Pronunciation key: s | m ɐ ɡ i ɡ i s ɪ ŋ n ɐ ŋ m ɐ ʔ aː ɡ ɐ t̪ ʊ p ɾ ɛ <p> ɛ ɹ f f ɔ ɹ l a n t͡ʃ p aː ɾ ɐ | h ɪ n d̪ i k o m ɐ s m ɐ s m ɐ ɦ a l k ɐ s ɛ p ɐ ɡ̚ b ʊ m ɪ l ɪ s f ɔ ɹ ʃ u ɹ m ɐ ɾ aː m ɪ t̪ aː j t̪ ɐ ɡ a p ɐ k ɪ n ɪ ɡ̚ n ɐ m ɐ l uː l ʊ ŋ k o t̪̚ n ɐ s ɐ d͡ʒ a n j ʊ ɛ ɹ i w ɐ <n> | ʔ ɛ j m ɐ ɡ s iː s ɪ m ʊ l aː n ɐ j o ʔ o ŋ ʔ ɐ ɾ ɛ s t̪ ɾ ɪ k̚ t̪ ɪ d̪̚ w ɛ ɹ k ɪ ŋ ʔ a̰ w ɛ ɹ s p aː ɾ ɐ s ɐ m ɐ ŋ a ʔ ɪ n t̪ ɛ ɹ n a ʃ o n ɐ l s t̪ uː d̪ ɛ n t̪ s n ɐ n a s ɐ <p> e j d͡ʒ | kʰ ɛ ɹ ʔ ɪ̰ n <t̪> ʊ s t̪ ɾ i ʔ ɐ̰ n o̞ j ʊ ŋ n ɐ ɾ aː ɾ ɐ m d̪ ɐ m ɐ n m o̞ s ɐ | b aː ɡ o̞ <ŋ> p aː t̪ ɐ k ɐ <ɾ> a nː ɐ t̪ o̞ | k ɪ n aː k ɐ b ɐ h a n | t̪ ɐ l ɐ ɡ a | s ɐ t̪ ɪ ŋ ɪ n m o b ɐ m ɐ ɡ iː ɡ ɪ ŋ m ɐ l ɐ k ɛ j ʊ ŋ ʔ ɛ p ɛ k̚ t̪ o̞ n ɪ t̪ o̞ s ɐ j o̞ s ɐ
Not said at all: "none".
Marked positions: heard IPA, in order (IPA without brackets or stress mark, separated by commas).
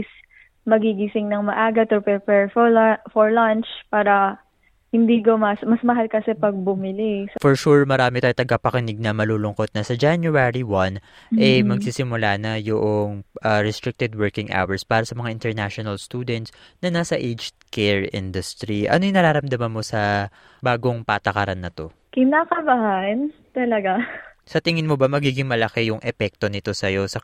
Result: p, n, ʔ, d̪, ŋ, ɾ